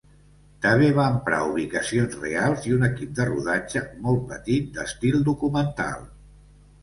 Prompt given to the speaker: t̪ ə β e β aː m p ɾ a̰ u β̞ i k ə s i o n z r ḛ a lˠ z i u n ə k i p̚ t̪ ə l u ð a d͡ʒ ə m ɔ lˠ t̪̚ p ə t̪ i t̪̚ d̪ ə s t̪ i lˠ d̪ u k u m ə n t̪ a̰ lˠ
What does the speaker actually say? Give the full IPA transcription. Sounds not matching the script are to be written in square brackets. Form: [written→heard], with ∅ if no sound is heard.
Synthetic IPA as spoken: t̪ ə β e β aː m p ɾ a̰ u β̞ i k ə s i o n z r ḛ a lˠ z i u n ə k i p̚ [t̪→d̪] ə [l→r] u ð a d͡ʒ ə m ɔ lˠ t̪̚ p ə t̪ i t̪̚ d̪ ə s t̪ i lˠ d̪ u k u m ə n t̪ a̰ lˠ

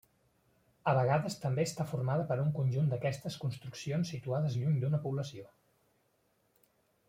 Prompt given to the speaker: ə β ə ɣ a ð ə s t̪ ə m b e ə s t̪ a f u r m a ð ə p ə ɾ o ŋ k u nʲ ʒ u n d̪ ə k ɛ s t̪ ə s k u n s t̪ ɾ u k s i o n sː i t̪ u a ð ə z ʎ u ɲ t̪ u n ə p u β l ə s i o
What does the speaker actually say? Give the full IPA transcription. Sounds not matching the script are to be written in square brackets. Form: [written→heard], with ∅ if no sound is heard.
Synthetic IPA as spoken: ə β ə ɣ a ð ə s t̪ ə m b e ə s t̪ a f u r m a ð ə p ə ɾ [o→u] ŋ k u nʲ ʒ u n d̪ ə k ɛ s t̪ ə s k u n s t̪ ɾ u k s i o n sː i t̪ u a ð ə z ʎ u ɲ [t̪→d̪] u n ə p u β l ə s i o

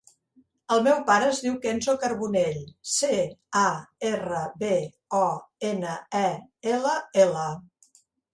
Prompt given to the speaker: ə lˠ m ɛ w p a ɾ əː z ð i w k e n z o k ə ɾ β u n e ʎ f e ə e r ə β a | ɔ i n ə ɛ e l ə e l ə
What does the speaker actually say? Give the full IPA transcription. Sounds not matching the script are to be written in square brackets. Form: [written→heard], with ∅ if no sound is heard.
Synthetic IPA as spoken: ə lˠ m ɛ w p a ɾ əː z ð i w k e n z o k ə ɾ β u n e ʎ [f→s] e [ə→a] e r ə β [a→e] | ɔ [i→e] n ə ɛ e l ə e l ə

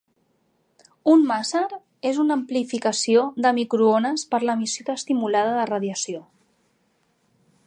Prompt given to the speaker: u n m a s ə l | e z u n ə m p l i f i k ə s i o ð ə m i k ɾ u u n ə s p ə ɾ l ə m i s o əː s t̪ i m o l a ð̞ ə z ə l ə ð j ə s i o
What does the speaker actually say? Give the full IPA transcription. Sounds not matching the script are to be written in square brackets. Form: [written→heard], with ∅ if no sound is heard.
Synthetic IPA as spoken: u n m a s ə [l→ɾ] | e z u n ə m p l i f i k ə s i o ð ə m i k ɾ u [u→o] n ə s p ə ɾ l ə m i s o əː s t̪ i m [o→u] l a ð̞ ə [z→ð] ə [l→r] ə ð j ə s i o

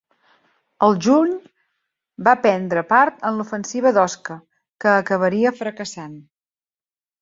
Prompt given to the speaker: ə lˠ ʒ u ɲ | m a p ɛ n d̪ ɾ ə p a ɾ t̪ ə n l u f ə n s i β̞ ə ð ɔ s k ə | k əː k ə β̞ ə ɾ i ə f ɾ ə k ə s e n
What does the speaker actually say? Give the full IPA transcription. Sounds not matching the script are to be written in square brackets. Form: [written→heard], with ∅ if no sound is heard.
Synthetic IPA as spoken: ə lˠ ʒ u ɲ | [m→b] a p ɛ n d̪ ɾ ə p a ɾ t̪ ə n l u f ə n s i β̞ ə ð ɔ s k ə | k əː k ə β̞ ə ɾ i ə f ɾ ə k ə s [e→a] n

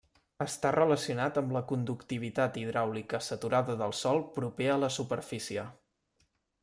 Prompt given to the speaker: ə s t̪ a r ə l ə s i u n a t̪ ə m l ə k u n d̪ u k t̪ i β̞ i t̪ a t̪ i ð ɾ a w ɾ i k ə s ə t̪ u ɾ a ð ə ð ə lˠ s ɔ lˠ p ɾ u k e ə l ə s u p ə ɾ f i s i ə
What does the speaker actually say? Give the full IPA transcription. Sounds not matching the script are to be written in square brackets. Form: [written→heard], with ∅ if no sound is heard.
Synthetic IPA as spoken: ə s t̪ a r ə l ə s i u n a t̪ ə m l ə k u n d̪ u k t̪ i β̞ i t̪ a t̪ i ð ɾ a w [ɾ→l] i k ə s ə t̪ u ɾ a ð ə ð ə lˠ s ɔ lˠ p ɾ u [k→p] e ə l ə s u p ə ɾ f i s i ə

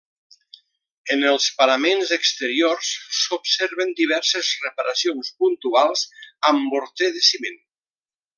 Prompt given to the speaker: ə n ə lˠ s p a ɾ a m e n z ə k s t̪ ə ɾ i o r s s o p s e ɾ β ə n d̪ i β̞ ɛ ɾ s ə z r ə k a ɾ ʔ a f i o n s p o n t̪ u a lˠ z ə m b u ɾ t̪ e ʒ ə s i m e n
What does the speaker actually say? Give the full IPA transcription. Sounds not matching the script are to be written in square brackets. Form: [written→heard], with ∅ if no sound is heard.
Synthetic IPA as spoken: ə n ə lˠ s p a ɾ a m e n z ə k s t̪ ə ɾ i o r s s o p s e ɾ β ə n d̪ i β̞ ɛ ɾ s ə z r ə [k→p] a ɾ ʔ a [f→s] i o n s p [o→u] n t̪ u a lˠ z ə m b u ɾ t̪ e [ʒ→ð] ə s i m e n

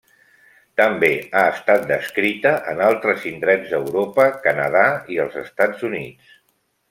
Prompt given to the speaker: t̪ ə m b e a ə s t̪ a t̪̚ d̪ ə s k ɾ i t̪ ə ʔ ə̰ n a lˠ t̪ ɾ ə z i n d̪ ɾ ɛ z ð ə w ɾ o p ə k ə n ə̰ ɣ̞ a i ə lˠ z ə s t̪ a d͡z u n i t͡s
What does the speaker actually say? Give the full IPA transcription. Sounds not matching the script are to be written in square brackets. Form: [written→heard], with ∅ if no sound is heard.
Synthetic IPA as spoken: t̪ ə m b e a ə s t̪ a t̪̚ d̪ ə s k ɾ i t̪ ə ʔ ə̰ n a lˠ t̪ ɾ ə z i n d̪ ɾ ɛ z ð ə w ɾ o p ə k ə n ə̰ [ɣ̞→ð̞] a i ə lˠ z ə s t̪ a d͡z u n i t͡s

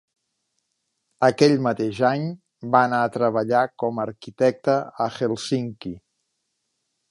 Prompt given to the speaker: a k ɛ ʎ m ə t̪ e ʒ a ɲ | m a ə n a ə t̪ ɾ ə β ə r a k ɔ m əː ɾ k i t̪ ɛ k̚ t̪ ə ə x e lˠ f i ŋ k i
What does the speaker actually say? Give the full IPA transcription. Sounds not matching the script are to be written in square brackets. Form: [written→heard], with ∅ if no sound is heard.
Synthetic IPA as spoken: [a→ə] k ɛ ʎ m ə t̪ e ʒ a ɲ | [m→b] a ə n a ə t̪ ɾ ə β ə [r→ʎ] a k ɔ m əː ɾ k i t̪ ɛ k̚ t̪ ə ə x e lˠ [f→s] i ŋ k i

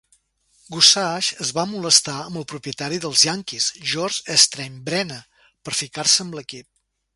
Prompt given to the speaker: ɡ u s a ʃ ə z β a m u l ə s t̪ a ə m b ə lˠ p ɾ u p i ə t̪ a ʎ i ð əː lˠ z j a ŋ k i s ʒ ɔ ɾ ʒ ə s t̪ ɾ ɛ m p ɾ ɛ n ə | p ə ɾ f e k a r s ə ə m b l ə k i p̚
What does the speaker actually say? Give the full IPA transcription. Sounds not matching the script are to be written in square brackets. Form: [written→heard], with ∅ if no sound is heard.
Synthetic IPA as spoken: ɡ u s a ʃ ə z β a m u l ə s t̪ a ə m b ə lˠ p ɾ u p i ə t̪ a [ʎ→ɾ] i ð [əː→ə] lˠ z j a ŋ k i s ʒ ɔ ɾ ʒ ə s t̪ ɾ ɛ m [p→b] ɾ ɛ n ə | p ə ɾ f [e→i] k a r s ə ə m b l ə k i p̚

